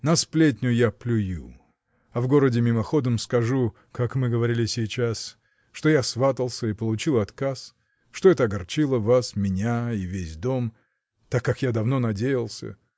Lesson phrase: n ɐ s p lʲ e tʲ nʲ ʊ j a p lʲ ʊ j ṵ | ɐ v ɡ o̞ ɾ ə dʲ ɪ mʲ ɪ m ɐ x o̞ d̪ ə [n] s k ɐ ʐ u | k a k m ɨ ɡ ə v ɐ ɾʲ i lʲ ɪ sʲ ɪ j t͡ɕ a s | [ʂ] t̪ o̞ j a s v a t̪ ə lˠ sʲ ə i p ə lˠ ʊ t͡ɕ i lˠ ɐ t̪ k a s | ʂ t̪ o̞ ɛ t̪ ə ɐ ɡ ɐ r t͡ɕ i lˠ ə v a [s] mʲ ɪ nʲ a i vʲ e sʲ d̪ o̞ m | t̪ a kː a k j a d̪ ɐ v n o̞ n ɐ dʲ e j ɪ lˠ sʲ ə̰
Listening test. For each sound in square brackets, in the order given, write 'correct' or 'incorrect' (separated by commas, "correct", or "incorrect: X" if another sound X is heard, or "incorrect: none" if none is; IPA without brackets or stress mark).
incorrect: m, correct, correct